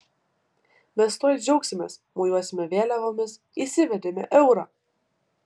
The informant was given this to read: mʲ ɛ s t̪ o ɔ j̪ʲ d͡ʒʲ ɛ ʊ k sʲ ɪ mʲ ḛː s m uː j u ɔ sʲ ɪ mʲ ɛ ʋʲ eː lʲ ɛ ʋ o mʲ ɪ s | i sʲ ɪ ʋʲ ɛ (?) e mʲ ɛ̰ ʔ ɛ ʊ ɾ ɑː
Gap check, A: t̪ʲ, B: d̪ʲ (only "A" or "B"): B